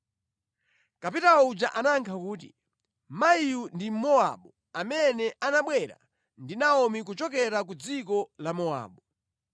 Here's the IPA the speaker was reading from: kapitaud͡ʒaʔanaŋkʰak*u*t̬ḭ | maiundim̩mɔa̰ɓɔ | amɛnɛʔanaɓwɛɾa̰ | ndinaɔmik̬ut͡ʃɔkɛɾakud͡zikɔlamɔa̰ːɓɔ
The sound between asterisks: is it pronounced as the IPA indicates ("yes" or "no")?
no